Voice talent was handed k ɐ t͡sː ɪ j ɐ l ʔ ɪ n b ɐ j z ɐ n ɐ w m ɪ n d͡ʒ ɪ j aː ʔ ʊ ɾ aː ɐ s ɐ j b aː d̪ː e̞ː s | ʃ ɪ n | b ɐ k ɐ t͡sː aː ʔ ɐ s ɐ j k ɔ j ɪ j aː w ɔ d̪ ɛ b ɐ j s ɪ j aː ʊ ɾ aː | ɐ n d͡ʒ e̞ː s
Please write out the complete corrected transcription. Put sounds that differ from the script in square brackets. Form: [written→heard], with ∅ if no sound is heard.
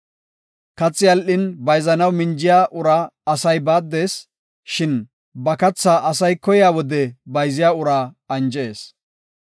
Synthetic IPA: k ɐ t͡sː ɪ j ɐ l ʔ ɪ n b ɐ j z ɐ n ɐ w m ɪ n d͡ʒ ɪ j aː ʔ ʊ ɾ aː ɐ s ɐ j b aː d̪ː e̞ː s | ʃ ɪ n | b ɐ k ɐ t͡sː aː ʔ ɐ s ɐ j k ɔ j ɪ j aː w ɔ d̪ ɛ b ɐ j [s→z] ɪ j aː ʊ ɾ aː | ɐ n d͡ʒ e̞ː s